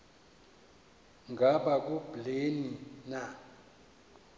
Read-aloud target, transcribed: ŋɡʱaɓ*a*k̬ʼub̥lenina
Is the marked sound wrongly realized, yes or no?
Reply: no